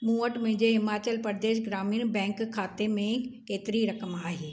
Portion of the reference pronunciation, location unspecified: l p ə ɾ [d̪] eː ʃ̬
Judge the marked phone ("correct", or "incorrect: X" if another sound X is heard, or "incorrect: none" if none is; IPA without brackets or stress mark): correct